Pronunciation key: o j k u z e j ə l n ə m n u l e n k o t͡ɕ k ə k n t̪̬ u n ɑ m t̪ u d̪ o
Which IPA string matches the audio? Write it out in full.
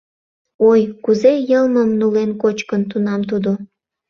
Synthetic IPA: o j k u z e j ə l m ə m n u l e n k o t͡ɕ k ə n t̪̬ u n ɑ m t̪ u d̪ o